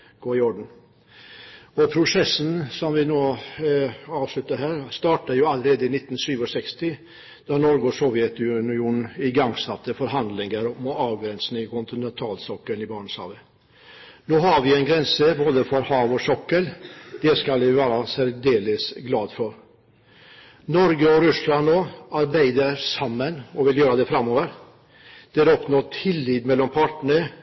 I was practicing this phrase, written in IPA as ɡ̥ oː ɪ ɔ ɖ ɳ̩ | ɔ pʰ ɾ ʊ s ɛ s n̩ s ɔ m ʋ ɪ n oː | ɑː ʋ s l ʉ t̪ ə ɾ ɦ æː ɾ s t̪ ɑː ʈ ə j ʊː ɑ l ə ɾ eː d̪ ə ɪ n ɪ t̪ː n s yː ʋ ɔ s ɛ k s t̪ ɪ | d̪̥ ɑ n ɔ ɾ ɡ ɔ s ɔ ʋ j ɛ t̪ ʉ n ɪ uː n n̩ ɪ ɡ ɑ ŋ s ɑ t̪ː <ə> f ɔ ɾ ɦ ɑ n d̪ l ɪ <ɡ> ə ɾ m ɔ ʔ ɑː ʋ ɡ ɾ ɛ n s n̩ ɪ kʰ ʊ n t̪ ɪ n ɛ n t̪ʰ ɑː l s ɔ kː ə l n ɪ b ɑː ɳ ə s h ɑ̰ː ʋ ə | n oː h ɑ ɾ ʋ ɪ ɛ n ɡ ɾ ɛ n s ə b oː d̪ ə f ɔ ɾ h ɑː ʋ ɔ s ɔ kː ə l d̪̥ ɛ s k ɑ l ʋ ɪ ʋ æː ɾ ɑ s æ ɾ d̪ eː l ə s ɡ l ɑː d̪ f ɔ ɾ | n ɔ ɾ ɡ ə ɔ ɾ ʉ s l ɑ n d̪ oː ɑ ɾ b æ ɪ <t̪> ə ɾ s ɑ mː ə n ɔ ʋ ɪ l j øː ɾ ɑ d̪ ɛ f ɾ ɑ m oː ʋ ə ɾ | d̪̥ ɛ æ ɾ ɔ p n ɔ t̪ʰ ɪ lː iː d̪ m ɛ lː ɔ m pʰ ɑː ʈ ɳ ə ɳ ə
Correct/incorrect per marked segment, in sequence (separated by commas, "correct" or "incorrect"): correct, incorrect, incorrect